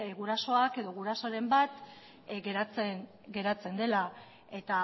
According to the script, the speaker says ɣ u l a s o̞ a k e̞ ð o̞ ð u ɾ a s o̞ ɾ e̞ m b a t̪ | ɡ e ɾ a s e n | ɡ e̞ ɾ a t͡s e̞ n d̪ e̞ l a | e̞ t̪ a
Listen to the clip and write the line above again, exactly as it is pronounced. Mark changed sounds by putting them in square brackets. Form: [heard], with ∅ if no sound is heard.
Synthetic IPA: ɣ u [ɾ] a s o̞ a k e̞ ð o̞ [ɣ] u ɾ a s o̞ ɾ e̞ m b a t̪ | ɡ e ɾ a [t͡s] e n | ɡ e̞ ɾ a t͡s e̞ n d̪ e̞ l a | e̞ t̪ a